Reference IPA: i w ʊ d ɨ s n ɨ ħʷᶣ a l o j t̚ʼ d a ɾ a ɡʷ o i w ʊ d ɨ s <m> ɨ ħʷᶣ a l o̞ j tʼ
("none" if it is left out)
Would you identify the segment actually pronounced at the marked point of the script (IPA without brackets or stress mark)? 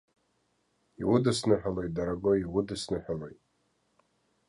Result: n